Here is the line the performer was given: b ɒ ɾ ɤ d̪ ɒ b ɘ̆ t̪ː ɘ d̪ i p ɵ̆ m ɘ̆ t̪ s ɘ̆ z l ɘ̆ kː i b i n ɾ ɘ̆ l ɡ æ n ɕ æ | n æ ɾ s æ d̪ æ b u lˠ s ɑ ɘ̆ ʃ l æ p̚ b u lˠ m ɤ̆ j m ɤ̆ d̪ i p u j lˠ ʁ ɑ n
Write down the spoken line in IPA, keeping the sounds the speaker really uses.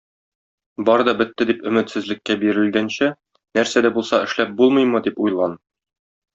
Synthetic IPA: b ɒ ɾ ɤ d̪ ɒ b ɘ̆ t̪ː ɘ d̪ i p ɵ̆ m ɘ̆ t̪ s ɘ̆ z l ɘ̆ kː æ b i ɾ ɘ̆ l ɡ æ n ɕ æ | n æ ɾ s æ d̪ æ b u lˠ s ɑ ɘ̆ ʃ l æ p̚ b u lˠ m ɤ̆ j m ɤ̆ d̪ i p u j lˠ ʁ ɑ n